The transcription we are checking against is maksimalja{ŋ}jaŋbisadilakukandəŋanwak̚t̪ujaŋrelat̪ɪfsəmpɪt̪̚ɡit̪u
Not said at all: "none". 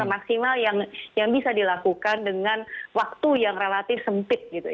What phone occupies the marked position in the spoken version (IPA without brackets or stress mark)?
ŋ